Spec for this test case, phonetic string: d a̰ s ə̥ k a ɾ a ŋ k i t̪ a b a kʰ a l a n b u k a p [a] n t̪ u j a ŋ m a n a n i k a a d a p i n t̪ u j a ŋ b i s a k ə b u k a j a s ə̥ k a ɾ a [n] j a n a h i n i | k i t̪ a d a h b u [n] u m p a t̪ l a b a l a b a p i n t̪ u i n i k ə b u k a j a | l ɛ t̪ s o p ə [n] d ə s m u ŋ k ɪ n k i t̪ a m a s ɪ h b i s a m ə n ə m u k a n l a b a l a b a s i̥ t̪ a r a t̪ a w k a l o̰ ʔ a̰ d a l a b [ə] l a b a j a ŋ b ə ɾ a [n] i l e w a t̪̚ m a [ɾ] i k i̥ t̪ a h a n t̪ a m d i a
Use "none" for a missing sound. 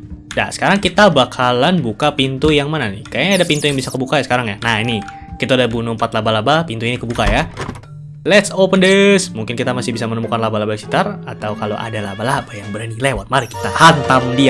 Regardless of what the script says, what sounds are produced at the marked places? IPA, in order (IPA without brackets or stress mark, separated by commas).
i, ŋ, n, n, a, n, ɾ